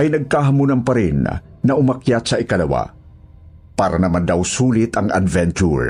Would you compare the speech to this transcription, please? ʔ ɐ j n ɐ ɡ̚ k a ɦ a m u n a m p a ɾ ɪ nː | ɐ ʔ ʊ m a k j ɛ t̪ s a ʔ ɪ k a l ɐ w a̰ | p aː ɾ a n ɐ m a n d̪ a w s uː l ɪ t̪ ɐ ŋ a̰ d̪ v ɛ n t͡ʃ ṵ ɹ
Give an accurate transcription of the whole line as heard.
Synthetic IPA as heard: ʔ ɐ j n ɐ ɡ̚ k a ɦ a m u n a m p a ɾ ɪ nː | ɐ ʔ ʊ m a k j a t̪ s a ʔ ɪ k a l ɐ w a̰ | p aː ɾ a n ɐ m a n d̪ a w s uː l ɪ t̪ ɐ ŋ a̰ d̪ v ɛ n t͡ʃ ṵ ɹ